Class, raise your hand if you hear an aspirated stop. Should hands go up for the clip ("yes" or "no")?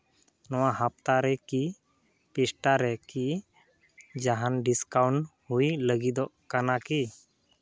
no